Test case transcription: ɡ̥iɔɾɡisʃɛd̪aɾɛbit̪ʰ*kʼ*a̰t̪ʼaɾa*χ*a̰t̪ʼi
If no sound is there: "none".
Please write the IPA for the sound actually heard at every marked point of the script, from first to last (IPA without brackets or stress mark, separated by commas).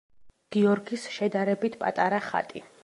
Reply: pʼ, χ